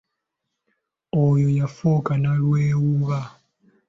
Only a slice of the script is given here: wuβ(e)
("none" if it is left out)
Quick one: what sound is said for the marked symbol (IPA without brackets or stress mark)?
a